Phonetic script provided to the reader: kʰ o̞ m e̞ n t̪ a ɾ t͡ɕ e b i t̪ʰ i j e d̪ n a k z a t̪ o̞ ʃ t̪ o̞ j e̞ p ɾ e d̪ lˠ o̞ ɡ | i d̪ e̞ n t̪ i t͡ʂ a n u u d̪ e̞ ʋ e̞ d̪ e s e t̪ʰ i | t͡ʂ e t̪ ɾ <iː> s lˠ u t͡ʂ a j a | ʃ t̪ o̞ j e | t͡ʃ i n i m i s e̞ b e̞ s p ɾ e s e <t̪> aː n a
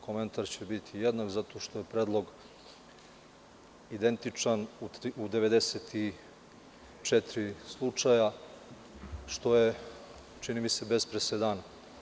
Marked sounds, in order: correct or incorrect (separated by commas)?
incorrect, incorrect